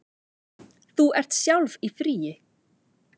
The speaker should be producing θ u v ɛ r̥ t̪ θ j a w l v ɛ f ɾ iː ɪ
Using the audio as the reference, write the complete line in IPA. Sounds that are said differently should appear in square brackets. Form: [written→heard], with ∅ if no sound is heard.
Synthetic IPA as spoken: θ u [v→∅] ɛ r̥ t̪ [θ→s] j a w l v [ɛ→i] f ɾ iː ɪ